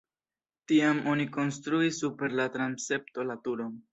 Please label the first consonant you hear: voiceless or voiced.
voiceless